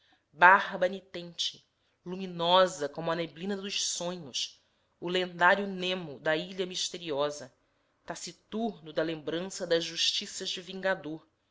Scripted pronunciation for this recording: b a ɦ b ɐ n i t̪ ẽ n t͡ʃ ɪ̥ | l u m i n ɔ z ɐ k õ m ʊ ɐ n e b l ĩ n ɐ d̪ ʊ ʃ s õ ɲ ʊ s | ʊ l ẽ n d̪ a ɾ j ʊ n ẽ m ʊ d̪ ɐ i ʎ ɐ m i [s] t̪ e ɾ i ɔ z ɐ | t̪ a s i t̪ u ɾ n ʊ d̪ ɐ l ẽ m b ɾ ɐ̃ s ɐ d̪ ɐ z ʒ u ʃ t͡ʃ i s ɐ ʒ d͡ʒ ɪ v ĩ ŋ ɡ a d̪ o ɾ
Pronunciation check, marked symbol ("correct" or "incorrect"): incorrect